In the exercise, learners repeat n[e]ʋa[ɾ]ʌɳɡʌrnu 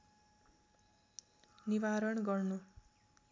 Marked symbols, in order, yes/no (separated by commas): no, yes